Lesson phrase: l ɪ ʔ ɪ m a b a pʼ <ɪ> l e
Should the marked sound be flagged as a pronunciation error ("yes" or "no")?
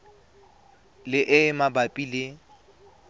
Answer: yes